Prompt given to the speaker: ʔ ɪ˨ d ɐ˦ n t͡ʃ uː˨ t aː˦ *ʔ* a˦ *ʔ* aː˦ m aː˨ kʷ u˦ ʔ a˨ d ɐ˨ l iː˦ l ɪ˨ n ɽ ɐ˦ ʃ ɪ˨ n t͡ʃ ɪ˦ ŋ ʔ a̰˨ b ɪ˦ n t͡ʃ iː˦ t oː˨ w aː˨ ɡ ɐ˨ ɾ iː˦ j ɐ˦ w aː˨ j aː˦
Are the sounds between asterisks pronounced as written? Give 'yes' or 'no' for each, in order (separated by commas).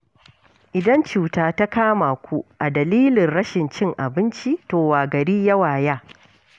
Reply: no, no